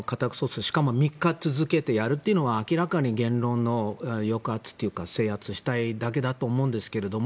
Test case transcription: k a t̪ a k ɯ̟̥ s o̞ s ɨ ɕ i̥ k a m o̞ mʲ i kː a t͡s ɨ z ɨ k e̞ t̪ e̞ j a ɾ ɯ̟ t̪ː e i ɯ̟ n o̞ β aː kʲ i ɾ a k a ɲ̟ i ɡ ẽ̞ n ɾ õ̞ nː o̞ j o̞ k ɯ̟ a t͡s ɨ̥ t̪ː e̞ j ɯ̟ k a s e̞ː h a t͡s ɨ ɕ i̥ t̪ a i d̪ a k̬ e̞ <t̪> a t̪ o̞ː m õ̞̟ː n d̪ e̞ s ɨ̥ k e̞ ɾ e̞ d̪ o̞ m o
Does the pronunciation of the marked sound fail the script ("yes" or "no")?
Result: yes